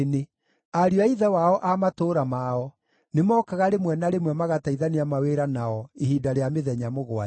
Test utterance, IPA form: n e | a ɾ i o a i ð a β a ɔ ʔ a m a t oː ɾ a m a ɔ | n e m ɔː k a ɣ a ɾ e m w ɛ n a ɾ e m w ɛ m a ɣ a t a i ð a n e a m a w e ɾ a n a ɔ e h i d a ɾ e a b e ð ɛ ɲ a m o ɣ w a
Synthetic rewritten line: n e | a ɾ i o a i ð a w a ɔ ʔ a m a t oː ɾ a m a ɔ | n e m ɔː k a ɣ a ɾ e m w ɛ n a ɾ e m w ɛ m a ɣ a t a i ð a n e a m a w e ɾ a n a ɔ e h i d a ɾ e a m e ð ɛ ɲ a m o ɣ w a

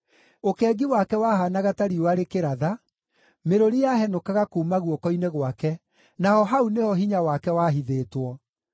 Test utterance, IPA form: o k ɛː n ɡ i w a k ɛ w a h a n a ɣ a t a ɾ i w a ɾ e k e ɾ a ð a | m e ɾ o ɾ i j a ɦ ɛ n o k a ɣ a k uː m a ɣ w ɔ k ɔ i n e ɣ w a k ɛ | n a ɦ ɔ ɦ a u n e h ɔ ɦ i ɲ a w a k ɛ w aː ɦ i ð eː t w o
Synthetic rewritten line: o k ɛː ɡ i w a k ɛ w a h a n a ɣ a t a ɾ i w a ɾ e k e ɾ a ð a | m e ɾ o ɾ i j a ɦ ɛ n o k a ɣ a k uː m a ɣ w ɔ k ɔ i n e ɣ w a k ɛ | n a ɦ ɔ ɦ a u n e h ɔ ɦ i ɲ a w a k ɛ w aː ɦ i ð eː t w ɔ

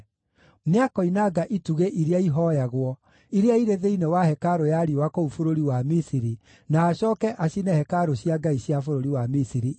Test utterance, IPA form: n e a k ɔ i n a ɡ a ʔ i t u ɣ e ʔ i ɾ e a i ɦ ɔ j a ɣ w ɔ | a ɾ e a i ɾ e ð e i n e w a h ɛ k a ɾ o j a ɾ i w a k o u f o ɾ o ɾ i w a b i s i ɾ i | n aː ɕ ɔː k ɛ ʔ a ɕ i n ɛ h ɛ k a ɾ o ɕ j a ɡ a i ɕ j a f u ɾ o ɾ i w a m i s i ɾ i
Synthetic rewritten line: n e a k ɔ i n a ɡ a ʔ i t u ɣ e ʔ i ɾ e a i ɦ ɔ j a ɣ w ɔ | i ɾ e a i ɾ e ð e i n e w a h ɛ k a ɾ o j a ɾ i w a k o u f o ɾ o ɾ i w a m i s i ɾ i | n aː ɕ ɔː k ɛ ʔ a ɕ i n ɛ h ɛ k a ɾ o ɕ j a ɡ a i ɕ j a f o ɾ o ɾ i w a m i s i ɾ i

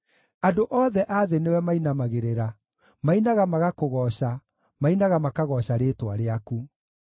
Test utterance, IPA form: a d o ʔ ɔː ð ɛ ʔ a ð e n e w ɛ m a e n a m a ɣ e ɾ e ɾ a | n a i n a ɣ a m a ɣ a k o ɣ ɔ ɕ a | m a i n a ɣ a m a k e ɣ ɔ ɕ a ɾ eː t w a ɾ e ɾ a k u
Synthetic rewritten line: a d o ʔ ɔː ð ɛ ʔ a ð e n e w ɛ m a i n a m a ɣ e ɾ e ɾ a | m a i n a ɣ a m a ɣ a k o ɣ ɔ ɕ a | m a i n a ɣ a m a k a ɣ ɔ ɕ a ɾ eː t w a ɾ e a k u

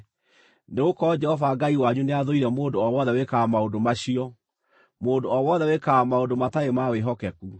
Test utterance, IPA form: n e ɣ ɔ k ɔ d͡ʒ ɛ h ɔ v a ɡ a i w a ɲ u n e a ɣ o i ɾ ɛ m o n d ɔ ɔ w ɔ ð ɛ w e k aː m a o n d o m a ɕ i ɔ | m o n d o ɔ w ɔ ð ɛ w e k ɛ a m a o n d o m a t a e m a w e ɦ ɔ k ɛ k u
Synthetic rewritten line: n e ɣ o k ɔ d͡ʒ ɛ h ɔ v a ɡ a i w a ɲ u n e a ð o i ɾ ɛ m o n d o ɔ w ɔ ð ɛ w e k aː m a o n d o m a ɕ i ɔ | m o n d o ɔ w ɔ ð ɛ w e k a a m a o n d o m a t a e m a w e ɦ ɔ k ɛ k u

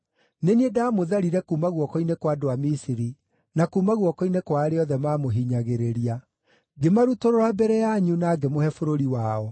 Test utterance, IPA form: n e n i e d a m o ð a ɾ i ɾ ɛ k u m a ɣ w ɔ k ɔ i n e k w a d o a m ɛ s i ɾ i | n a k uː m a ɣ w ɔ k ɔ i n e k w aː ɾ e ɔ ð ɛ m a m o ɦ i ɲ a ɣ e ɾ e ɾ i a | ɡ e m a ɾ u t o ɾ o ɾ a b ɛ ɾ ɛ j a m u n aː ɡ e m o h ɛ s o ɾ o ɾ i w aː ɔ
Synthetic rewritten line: n e n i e d a m o ð a ɾ i ɾ ɛ k u m a ɣ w ɔ k ɔ i n e k w a d o a m i s i ɾ i | n a k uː m a ɣ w ɔ k ɔ i n e k w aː ɾ e ɔ ð ɛ m a m o ɦ i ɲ a ɣ e ɾ e ɾ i a | ɡ e m a ɾ u t o ɾ o ɾ a b ɛ ɾ ɛ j a ɲ u n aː ɡ e m o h ɛ f o ɾ o ɾ i w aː ɔ

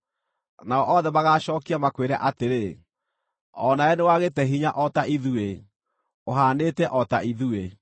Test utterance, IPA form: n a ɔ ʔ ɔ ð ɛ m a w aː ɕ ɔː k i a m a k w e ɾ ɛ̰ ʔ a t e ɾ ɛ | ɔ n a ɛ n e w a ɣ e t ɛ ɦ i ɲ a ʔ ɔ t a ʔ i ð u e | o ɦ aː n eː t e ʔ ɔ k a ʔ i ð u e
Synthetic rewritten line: n a ɔ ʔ ɔ ð ɛ m a ɣ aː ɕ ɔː k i a m a k w e ɾ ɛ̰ ʔ a t e ɾ e | ɔ n a ɛ n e w a ɣ e t ɛ ɦ i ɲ a ʔ ɔ t a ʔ i ð u e | o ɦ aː n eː t ɛ ʔ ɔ t a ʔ i ð u e

